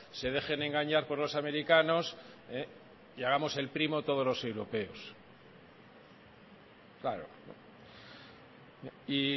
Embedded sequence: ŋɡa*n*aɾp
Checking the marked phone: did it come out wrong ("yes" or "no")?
yes